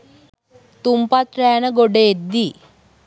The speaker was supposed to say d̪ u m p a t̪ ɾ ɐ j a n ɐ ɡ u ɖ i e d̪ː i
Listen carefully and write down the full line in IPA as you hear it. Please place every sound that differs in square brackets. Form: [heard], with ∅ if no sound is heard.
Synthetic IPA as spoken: [t̪] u m p a t̪ ɾ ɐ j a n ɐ ɡ [o] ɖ [e] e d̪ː i